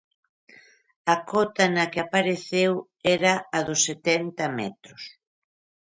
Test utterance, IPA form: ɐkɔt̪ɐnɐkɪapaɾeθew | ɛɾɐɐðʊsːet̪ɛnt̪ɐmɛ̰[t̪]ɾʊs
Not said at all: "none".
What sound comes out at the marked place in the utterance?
t̪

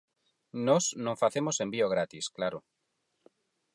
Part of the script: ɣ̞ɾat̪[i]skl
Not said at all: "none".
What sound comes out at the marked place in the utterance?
i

